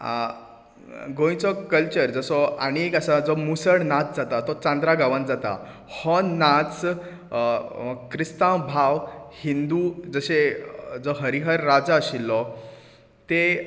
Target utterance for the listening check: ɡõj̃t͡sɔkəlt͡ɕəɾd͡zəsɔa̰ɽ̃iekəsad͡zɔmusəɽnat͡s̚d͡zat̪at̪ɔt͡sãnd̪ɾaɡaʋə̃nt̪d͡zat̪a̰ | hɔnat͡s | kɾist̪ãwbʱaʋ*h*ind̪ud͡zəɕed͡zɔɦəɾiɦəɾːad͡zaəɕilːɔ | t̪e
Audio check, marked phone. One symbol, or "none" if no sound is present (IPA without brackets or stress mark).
h